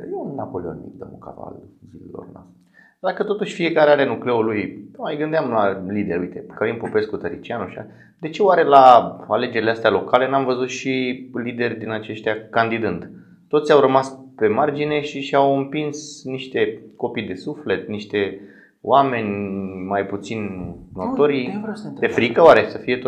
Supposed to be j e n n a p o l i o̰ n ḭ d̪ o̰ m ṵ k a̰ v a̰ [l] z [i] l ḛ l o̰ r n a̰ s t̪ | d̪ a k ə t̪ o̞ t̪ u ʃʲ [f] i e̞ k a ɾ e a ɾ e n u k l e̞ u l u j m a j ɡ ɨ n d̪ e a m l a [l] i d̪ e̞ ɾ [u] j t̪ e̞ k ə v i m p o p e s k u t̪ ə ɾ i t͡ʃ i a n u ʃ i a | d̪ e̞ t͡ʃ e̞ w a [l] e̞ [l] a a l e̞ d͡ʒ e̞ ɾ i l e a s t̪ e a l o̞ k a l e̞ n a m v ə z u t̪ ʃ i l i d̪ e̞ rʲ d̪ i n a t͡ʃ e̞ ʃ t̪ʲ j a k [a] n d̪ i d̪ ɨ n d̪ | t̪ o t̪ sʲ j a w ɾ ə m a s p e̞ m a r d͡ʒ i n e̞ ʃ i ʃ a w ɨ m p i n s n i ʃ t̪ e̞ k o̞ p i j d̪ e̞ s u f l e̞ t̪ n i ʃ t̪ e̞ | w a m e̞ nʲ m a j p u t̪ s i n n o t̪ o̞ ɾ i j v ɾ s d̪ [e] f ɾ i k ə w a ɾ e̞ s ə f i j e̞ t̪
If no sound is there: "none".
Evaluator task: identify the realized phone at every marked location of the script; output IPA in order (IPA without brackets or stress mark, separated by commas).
l, i, f, l, u, ɾ, l, a, e